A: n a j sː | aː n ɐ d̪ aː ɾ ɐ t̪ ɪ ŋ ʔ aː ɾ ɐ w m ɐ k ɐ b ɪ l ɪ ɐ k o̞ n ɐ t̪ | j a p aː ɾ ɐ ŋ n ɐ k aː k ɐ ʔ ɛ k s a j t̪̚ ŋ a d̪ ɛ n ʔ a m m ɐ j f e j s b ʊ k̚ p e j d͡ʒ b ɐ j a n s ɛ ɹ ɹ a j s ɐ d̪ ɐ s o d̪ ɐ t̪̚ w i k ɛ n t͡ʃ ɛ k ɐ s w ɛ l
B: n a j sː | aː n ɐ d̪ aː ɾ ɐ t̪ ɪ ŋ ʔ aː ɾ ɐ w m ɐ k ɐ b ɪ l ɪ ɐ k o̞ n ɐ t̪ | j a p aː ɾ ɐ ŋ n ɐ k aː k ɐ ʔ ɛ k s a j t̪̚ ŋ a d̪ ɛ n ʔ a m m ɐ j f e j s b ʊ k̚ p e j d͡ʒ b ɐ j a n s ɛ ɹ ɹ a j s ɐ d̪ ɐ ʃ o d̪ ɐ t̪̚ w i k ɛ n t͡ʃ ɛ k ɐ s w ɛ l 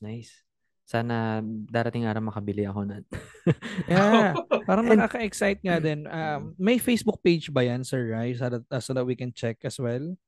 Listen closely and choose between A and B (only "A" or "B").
A